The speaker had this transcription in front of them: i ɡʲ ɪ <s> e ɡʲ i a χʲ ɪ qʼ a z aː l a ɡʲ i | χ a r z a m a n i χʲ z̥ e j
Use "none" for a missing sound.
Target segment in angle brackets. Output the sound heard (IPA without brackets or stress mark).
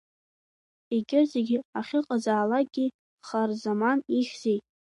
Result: z